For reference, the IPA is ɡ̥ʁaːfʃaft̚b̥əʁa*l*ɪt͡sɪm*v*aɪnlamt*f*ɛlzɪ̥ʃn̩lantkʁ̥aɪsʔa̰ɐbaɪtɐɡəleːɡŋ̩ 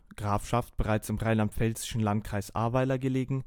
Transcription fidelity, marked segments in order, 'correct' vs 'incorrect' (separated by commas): incorrect, incorrect, correct